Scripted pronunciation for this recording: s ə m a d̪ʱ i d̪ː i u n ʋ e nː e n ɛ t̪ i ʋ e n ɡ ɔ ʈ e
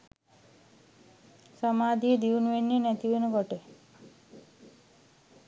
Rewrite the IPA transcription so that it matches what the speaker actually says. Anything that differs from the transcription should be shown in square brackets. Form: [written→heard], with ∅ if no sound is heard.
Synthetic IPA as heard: s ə m a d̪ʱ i [d̪ː→d̪] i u n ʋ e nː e n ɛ t̪ i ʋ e n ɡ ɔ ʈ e